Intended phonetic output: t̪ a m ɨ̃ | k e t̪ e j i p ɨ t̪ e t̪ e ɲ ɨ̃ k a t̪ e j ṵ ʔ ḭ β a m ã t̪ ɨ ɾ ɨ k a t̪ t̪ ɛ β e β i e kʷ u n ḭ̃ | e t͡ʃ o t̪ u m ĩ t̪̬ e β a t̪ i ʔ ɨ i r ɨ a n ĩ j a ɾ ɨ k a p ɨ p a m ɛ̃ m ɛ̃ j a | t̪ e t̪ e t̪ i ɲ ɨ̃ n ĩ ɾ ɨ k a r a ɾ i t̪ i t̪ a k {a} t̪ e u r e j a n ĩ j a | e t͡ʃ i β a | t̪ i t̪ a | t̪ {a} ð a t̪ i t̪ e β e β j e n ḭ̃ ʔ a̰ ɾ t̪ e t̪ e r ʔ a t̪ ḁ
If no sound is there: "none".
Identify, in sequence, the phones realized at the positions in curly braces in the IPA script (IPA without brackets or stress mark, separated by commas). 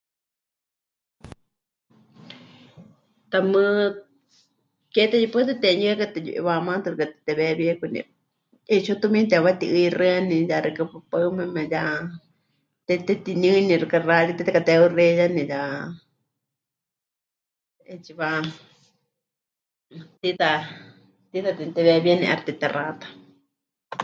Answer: a, i